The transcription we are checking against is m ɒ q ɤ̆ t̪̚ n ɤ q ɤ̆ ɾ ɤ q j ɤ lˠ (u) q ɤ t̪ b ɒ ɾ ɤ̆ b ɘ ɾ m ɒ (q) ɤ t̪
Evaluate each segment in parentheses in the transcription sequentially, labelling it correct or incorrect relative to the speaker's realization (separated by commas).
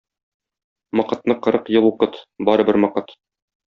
correct, correct